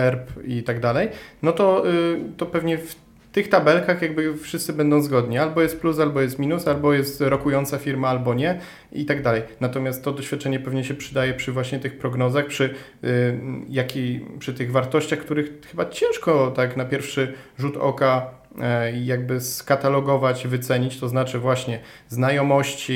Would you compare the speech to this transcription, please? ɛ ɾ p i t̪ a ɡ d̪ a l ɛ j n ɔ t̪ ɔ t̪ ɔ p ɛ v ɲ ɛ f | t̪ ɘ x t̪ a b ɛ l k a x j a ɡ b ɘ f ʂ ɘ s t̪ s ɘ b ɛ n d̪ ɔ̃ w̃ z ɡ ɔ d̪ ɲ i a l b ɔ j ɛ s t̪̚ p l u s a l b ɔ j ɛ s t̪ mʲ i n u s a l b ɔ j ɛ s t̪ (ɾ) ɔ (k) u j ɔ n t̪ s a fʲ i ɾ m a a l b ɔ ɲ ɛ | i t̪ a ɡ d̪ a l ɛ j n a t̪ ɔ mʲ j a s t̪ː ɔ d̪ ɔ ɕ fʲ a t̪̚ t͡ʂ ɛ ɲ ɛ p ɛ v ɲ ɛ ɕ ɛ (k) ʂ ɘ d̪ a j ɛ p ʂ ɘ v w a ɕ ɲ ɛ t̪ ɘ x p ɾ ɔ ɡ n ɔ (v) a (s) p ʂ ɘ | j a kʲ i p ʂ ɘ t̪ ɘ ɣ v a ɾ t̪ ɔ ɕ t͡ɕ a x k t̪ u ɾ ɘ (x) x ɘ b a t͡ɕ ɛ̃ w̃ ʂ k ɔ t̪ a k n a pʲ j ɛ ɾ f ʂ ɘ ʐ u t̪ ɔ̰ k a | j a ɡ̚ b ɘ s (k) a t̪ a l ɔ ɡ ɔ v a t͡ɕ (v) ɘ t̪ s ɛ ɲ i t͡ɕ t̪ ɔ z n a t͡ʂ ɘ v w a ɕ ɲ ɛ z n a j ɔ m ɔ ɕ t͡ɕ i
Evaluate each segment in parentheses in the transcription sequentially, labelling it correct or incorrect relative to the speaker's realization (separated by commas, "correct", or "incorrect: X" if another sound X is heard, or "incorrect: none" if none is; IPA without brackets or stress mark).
correct, correct, incorrect: p, incorrect: z, incorrect: x, correct, correct, correct